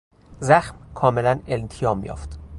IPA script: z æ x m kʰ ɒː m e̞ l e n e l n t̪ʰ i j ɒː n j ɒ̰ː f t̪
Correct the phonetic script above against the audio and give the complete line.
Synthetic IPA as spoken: z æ x m kʰ ɒː m e̞ l æ n e l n t̪ʰ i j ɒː m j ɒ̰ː f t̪

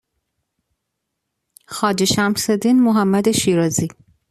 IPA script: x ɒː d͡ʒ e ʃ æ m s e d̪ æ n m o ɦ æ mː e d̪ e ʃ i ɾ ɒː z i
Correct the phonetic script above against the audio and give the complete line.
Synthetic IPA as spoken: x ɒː d͡ʒ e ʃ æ m s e d̪ i n m o ɦ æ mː æ d̪ e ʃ i ɾ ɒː z i

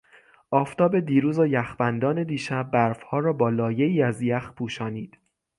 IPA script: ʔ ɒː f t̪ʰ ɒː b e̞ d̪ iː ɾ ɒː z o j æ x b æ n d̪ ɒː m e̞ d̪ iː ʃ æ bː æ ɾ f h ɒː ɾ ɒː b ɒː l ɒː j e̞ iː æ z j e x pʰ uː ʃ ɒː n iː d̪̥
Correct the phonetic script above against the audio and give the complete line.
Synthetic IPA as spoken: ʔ ɒː f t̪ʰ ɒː b e̞ d̪ iː ɾ uː z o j æ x b æ n d̪ ɒː n e̞ d̪ iː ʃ æ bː æ ɾ f h ɒː ɾ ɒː b ɒː l ɒː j e̞ iː æ z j æ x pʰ uː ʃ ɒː n iː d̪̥

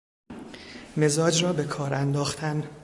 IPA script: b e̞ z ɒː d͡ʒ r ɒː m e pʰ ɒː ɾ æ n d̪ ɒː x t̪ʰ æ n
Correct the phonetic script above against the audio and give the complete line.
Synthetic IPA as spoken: m e̞ z ɒː d͡ʒ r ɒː b e kʰ ɒː ɾ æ n d̪ ɒː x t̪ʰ æ n

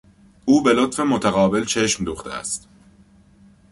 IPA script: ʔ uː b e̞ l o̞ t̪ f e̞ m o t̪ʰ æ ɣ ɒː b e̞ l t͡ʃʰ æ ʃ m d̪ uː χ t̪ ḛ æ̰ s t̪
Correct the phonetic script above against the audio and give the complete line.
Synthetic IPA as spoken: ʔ uː b e̞ l o̞ t̪ f e̞ m o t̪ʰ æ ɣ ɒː b e̞ l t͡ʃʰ e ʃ m d̪ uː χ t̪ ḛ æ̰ s t̪

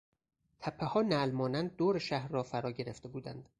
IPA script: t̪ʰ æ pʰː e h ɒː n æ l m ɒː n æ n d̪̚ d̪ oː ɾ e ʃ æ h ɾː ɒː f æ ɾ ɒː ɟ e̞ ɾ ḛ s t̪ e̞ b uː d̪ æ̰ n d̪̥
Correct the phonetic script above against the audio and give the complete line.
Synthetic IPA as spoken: t̪ʰ æ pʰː e h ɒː n æ l m ɒː n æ n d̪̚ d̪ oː ɾ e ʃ æ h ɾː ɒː f æ ɾ ɒː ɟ e̞ ɾ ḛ f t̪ e̞ b uː d̪ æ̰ n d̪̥

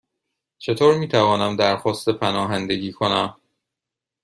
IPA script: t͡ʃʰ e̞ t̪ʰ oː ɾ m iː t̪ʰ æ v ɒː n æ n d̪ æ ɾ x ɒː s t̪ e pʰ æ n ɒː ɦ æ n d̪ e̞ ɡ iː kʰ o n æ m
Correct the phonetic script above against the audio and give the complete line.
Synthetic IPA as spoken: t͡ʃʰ e̞ t̪ʰ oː ɾ m iː t̪ʰ æ v ɒː n æ m d̪ æ ɾ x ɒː s t̪ e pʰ æ n ɒː ɦ æ n d̪ e̞ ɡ iː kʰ o n æ m

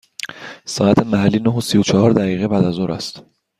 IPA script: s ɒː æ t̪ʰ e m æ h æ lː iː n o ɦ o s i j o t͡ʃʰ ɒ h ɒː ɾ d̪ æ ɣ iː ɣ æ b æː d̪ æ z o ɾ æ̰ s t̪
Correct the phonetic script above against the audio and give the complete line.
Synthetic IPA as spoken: s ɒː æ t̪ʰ e m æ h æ lː iː n o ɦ o s i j o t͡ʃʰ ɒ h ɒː ɾ d̪ æ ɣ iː ɣ e b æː d̪ æ z o ɾ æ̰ s t̪

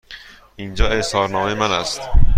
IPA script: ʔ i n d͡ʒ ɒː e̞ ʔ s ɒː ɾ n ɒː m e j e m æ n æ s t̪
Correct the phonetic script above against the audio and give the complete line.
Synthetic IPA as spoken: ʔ i n d͡ʒ ɒː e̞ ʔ s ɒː ɾ n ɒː m e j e m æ n æ s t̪

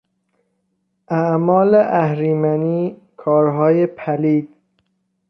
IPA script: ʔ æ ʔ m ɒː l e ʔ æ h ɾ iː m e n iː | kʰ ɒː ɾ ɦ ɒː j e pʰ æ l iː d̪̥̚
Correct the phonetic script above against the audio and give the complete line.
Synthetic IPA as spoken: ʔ æ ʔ m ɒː l e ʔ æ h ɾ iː m æ n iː | kʰ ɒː ɾ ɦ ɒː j e pʰ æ l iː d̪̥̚

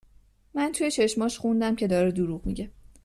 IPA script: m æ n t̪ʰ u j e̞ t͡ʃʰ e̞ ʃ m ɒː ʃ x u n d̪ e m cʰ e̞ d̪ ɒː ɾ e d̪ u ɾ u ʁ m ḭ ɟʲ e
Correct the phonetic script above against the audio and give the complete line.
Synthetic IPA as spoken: m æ n t̪ʰ u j e̞ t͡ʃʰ e̞ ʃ m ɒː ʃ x u n d̪ æ m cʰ e̞ d̪ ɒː ɾ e d̪ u ɾ u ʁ m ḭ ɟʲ e

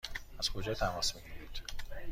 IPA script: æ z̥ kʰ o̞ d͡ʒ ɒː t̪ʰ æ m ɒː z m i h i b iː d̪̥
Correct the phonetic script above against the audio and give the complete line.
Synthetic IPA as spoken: æ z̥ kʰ o̞ d͡ʒ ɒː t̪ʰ æ m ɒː s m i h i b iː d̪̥

